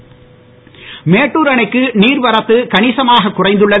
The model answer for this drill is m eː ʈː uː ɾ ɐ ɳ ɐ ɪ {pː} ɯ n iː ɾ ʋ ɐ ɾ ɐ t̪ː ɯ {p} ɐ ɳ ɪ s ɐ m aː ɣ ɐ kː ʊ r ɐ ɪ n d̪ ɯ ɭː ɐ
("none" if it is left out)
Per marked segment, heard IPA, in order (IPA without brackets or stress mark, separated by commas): kː, k